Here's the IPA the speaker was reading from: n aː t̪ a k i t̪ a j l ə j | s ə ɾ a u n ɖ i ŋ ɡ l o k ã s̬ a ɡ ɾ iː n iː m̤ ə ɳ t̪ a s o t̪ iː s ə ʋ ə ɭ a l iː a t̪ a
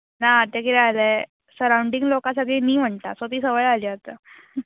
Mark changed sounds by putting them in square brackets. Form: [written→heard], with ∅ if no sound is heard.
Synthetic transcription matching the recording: n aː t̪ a k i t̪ a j l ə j | s ə ɾ a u [n→ɳ] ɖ i ŋ ɡ l o k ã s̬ a ɡ [ɾ→ɭ] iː n iː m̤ ə ɳ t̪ a s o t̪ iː s ə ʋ ə ɭ a l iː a t̪ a

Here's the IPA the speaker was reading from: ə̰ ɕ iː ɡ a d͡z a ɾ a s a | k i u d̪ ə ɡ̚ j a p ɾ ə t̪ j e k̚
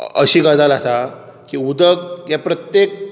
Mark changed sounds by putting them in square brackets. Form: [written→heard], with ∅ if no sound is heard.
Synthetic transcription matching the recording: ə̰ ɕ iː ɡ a d͡z a [ɾ→l] a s a | k i u d̪ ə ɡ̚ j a p ɾ ə t̪ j e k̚

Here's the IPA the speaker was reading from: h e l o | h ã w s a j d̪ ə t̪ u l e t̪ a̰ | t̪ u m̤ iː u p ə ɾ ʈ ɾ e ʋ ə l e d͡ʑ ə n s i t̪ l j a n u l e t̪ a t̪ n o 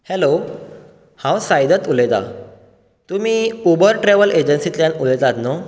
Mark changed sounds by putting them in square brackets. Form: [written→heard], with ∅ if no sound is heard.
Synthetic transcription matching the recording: h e l o | h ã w s a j d̪ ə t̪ u l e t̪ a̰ | t̪ u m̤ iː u [p→b] ə ɾ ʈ ɾ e ʋ ə l e d͡ʑ ə n s i t̪ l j a n u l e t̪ a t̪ n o

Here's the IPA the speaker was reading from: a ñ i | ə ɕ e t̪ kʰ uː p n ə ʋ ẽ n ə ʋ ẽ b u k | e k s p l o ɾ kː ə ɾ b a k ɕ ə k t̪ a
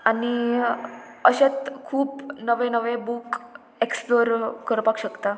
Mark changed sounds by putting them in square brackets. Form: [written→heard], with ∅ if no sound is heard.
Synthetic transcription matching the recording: a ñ i | ə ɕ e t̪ kʰ uː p n ə ʋ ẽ n ə ʋ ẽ b u k | e k s p l o ɾ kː ə ɾ [b→p] a k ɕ ə k t̪ a

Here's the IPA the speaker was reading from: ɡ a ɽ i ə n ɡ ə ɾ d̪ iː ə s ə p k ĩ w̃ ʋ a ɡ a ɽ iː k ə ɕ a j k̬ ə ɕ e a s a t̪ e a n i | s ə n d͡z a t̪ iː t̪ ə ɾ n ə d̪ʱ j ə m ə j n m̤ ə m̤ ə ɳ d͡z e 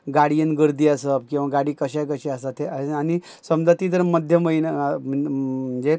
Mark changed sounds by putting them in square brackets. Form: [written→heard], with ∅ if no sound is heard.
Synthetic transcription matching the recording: ɡ a ɽ i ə n ɡ ə ɾ d̪ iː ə s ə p k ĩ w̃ ʋ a ɡ a ɽ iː k ə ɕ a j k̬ ə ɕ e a s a t̪ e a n i | s ə [n→m] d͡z a t̪ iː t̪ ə ɾ [n→m] ə d̪ʱ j ə m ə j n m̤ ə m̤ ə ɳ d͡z e

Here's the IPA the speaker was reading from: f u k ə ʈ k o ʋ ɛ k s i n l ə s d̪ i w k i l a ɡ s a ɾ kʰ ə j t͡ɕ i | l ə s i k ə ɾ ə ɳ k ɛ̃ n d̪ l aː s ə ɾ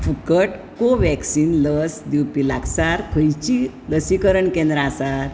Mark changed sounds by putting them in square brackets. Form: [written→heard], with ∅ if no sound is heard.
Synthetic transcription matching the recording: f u k ə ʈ k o ʋ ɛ k s i n l ə s d̪ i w [k→p] i l a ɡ s a ɾ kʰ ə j t͡ɕ i | l ə s i k ə ɾ ə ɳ k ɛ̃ n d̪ [l→ɾ] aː s [ə→a] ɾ

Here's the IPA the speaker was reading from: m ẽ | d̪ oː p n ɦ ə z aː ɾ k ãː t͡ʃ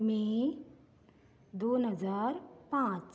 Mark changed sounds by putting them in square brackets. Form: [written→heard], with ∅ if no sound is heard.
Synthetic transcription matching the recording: m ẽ | d̪ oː [p→∅] n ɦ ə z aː ɾ [k→p] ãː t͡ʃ

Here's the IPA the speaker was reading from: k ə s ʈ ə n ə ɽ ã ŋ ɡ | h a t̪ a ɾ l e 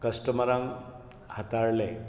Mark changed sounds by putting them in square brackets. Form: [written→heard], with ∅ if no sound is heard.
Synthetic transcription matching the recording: k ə s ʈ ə [n→m] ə [ɽ→ɾ] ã ŋ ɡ | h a t̪ a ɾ l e

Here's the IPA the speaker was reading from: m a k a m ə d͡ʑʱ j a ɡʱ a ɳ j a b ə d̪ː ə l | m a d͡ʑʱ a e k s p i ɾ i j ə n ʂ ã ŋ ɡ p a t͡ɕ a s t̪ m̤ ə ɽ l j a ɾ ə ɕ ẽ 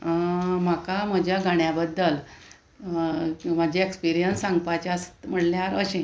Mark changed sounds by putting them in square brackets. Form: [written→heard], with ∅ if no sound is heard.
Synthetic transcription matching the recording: m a k a m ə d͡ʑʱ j a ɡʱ a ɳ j a b ə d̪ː ə l | m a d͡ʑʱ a e k s p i ɾ i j ə n [ʂ→s] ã ŋ ɡ p a t͡ɕ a s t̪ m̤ ə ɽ l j a ɾ ə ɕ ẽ

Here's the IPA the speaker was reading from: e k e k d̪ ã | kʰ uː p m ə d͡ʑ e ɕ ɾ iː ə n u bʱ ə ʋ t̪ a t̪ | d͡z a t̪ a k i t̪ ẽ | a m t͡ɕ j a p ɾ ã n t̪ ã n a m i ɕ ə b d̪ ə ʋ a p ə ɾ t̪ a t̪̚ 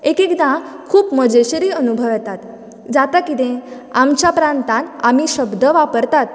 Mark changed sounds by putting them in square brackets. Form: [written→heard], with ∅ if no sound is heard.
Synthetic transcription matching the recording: e k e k d̪ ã | kʰ uː p m ə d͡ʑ e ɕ ɾ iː ə n u bʱ ə ʋ t̪ a t̪ | d͡z a t̪ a k i t̪ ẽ | a m t͡ɕ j a p ɾ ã n t̪ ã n a m i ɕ ə b d̪ ə ʋ a p ə ɾ t̪ a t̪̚

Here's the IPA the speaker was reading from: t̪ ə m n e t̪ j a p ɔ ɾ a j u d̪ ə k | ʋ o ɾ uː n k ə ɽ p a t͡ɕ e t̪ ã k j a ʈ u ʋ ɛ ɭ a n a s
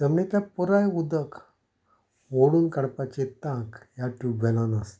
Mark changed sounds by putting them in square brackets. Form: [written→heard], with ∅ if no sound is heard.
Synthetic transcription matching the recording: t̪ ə m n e t̪ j a p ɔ ɾ a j u d̪ ə k | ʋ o [ɾ→ɽ] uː n k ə ɽ p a t͡ɕ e t̪ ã k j a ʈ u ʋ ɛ [ɭ→l] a n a s

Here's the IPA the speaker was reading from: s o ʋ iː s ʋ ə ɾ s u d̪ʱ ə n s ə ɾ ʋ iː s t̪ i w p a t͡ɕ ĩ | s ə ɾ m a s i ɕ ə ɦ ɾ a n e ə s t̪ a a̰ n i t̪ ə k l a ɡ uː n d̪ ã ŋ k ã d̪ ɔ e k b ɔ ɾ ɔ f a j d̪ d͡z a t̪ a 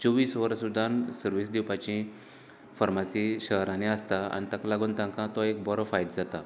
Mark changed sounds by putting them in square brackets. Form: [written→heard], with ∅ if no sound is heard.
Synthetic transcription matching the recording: [s→t͡s] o ʋ iː s ʋ ə ɾ s u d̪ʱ [ə→a] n s ə ɾ ʋ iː s [t̪→d̪] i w p a t͡ɕ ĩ | [s→f] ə ɾ m a s i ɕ ə ɦ ɾ a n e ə s t̪ a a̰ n i t̪ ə k l a ɡ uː n [d̪→t̪] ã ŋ k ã [d̪→t̪] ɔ e k b ɔ ɾ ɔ f a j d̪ d͡z a t̪ a

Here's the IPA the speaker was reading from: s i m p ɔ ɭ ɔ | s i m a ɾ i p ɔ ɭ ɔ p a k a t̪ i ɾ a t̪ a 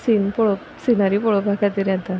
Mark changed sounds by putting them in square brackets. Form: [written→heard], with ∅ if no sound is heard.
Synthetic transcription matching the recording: s i [m→n] p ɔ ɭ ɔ | s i [m→n] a ɾ i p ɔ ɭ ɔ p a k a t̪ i ɾ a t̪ a

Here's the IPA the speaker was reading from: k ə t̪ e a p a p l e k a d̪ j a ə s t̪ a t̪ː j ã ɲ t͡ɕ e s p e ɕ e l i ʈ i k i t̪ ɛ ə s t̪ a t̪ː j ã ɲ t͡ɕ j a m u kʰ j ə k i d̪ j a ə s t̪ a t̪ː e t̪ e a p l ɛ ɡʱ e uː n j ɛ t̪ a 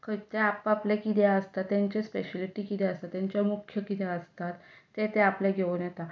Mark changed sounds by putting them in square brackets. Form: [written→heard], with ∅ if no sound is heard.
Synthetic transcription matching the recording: k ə t̪ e a p a p l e k [a→i] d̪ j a ə s t̪ a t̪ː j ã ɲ t͡ɕ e s p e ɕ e l i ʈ i k i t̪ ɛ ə s t̪ a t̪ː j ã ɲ t͡ɕ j a m u kʰ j ə k i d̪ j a ə s t̪ a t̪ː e t̪ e a p l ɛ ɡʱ e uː n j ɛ t̪ a

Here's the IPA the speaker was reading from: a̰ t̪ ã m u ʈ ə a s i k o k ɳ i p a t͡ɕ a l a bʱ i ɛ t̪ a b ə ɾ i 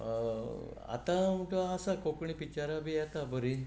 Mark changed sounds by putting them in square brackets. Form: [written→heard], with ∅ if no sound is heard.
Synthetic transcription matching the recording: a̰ t̪ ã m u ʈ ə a s [i→a] k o k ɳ i p [a→i] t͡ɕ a [l→ɾ] a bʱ i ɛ t̪ a b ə ɾ i

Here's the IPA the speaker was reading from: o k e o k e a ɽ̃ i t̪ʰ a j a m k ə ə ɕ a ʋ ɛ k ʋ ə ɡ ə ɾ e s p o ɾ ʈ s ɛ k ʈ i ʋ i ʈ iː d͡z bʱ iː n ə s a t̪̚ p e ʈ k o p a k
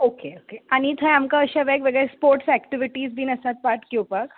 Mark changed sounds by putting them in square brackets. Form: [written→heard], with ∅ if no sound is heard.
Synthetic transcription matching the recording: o k e o k e a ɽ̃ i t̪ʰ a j a m k [ə→a] ə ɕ a ʋ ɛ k ʋ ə ɡ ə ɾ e s p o ɾ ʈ s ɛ k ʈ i ʋ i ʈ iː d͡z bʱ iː n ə s a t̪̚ p [e→a] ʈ k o p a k

